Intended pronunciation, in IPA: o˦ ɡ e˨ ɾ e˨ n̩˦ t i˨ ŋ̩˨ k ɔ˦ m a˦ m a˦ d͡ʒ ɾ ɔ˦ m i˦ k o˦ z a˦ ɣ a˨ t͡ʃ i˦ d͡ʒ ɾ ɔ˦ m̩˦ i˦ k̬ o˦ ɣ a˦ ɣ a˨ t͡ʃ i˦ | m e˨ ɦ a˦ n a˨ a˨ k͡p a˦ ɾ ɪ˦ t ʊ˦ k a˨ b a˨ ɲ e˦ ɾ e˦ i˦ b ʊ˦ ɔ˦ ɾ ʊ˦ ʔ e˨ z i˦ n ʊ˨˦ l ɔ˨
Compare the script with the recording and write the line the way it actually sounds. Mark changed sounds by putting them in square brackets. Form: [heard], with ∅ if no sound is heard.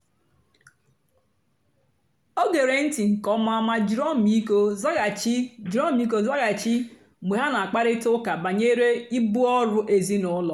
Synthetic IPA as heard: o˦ ɡ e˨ ɾ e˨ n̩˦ t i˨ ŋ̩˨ k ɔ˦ m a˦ m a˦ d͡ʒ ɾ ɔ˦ m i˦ k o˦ z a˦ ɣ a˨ t͡ʃ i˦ d͡ʒ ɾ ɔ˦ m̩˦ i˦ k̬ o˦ [z] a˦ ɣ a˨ t͡ʃ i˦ | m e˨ ɦ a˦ n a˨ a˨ k͡p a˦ ɾ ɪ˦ t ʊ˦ k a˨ b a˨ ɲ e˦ ɾ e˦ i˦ b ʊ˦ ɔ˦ ɾ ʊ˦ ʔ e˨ z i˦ n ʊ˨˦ l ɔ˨